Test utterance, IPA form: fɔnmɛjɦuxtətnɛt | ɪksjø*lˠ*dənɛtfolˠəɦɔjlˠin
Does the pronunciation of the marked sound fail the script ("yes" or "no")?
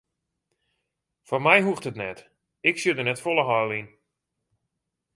yes